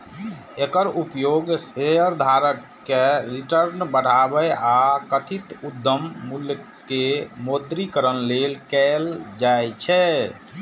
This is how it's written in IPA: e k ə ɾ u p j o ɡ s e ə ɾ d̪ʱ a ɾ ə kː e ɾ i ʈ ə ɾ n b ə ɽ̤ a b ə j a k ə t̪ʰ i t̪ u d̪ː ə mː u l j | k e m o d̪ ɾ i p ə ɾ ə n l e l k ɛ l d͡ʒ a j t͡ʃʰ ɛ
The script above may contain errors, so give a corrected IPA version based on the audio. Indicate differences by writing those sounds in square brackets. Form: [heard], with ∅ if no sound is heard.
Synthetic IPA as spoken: e k ə ɾ u p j o ɡ s e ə ɾ d̪ʱ a ɾ ə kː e ɾ i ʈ ə ɾ n b ə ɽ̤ a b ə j a k ə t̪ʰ i t̪ u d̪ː ə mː u l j | k e m o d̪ ɾ i [k] ə ɾ ə n l e l k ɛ l d͡ʒ a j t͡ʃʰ ɛ